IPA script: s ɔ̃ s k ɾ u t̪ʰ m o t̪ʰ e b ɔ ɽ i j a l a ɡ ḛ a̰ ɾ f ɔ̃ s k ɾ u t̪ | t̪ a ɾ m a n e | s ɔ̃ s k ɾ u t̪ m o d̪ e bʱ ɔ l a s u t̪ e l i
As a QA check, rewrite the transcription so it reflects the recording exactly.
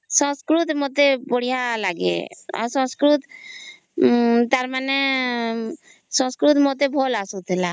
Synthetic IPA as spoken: s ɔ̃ s k ɾ u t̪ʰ m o t̪ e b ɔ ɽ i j a l a ɡ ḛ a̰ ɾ s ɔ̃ s k ɾ u t̪ | t̪ a ɾ m a n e | s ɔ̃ s k ɾ u t̪ m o t̪ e bʱ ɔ l a s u t̪ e l a